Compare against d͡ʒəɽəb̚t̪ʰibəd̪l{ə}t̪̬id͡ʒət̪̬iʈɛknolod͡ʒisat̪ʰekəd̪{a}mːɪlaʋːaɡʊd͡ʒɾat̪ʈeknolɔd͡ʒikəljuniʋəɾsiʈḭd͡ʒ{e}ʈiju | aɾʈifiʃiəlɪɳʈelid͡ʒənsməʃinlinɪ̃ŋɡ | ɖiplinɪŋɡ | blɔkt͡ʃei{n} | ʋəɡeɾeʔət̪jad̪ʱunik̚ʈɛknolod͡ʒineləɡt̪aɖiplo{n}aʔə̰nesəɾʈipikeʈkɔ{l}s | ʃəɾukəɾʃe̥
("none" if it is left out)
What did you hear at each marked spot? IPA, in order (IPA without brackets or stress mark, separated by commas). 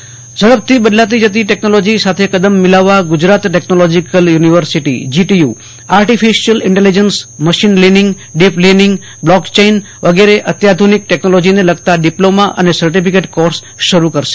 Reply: a, ə, i, n, m, ɾ